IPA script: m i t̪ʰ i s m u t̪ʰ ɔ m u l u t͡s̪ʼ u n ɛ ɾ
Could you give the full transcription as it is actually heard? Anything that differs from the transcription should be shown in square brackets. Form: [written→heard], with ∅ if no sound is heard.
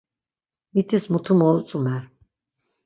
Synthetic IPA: m i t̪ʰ i s m u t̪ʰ [ɔ→u] m [u→ɔ] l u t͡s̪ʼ u [n→m] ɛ ɾ